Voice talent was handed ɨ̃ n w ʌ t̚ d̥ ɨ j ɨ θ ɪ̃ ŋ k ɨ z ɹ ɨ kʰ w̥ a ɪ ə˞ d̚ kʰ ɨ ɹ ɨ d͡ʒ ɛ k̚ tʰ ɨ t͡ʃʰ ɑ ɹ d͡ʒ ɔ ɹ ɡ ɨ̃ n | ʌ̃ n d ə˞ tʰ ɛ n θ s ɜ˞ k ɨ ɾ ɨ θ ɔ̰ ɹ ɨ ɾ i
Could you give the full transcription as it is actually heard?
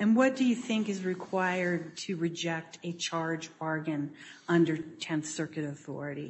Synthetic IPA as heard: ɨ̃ n w ʌ t̚ d̥ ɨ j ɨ θ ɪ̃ ŋ k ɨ z ɹ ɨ kʰ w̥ a ɪ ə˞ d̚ tʰ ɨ ɹ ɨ d͡ʒ ɛ k̚ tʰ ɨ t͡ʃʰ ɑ ɹ d͡ʒ ɔ ɹ ɡ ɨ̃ n | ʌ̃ n d ə˞ tʰ ɛ̃ n θ s ɜ˞ k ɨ ɾ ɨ θ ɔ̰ ɹ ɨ ɾ i